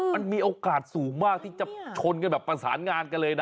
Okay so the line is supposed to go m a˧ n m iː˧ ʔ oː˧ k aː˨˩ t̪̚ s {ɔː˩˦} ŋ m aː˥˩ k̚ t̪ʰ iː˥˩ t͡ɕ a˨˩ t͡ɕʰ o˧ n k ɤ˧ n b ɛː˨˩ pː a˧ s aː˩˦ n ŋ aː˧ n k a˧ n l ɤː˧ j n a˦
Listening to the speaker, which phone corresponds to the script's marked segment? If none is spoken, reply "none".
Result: uː˩˦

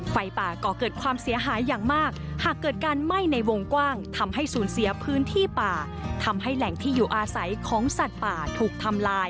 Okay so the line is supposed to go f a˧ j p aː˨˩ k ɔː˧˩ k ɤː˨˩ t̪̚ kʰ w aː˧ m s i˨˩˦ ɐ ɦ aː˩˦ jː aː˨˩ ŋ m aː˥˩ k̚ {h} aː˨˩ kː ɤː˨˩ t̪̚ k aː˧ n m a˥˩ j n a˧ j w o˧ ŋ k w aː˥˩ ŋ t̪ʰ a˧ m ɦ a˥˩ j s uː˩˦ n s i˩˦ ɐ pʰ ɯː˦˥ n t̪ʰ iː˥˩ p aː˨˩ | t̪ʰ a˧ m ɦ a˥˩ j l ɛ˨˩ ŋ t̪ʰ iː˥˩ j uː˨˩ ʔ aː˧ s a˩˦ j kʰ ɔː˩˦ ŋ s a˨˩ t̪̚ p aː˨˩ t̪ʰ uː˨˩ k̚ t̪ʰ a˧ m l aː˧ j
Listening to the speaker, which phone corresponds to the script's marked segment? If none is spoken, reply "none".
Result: h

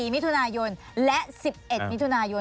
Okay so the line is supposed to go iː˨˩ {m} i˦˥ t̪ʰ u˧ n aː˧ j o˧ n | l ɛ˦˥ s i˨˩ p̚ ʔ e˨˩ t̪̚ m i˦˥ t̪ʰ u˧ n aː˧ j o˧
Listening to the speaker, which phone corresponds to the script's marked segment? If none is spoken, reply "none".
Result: m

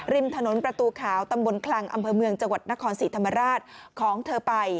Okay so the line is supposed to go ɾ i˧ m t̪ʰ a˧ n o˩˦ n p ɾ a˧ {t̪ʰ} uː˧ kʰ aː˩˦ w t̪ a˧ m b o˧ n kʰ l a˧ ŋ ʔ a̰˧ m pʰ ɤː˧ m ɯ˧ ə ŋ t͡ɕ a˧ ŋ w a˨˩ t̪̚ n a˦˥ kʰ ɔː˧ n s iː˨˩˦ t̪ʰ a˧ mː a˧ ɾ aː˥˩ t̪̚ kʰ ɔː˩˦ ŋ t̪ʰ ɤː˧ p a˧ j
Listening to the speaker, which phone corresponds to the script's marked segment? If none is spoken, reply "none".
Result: t̪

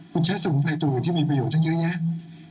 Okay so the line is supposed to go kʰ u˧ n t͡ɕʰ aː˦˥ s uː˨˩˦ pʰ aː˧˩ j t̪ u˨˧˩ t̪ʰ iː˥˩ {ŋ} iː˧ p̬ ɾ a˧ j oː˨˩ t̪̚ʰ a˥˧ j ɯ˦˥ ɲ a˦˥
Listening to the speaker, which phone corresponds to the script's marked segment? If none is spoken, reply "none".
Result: m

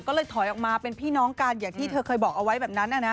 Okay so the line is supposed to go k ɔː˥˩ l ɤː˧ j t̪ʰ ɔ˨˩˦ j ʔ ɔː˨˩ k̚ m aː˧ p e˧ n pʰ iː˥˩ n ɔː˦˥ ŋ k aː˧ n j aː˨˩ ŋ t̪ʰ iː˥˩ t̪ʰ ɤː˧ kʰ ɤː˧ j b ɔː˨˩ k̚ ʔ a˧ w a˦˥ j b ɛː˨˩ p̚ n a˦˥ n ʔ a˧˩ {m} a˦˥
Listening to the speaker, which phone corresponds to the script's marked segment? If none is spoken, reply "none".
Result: n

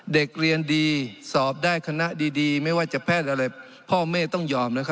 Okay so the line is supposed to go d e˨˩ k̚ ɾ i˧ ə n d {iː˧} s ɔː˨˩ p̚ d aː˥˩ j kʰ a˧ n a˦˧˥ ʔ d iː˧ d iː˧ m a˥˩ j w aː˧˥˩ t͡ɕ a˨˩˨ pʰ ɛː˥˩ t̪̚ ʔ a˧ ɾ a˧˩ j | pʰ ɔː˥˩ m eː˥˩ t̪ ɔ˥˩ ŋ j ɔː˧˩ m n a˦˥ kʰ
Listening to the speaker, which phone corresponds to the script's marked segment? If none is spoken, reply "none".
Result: iː˧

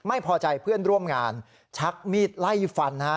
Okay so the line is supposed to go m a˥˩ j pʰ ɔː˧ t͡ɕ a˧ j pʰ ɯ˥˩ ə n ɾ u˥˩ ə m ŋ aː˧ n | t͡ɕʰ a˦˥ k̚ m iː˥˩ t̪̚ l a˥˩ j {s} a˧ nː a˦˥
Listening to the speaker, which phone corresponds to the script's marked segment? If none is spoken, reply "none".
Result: f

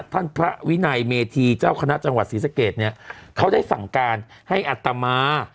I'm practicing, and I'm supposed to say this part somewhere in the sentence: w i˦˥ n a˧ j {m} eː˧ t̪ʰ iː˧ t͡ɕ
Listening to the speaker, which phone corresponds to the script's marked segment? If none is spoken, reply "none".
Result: m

